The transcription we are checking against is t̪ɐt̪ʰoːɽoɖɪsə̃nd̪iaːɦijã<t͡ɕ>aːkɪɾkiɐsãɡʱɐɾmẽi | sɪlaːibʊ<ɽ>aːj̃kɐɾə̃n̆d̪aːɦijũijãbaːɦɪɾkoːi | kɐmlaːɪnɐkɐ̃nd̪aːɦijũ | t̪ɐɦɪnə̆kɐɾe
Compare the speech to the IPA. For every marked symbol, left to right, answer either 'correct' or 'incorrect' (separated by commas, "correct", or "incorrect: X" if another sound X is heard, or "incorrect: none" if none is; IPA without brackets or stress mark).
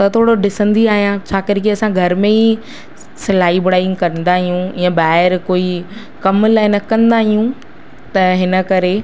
incorrect: t͡ɕʰ, correct